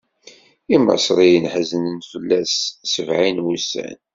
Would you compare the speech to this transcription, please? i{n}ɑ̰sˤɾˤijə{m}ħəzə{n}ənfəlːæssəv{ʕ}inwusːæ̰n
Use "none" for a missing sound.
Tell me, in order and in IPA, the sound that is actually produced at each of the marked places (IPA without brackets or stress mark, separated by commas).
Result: m, n, n, ʕ